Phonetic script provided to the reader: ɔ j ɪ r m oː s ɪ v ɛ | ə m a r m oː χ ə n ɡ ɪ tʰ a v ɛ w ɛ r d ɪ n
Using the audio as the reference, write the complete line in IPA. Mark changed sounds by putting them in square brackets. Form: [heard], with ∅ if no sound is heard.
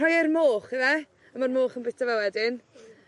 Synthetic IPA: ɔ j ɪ r m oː [χ] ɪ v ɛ | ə m a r m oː χ ə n [b] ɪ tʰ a v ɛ w ɛ [∅] d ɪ n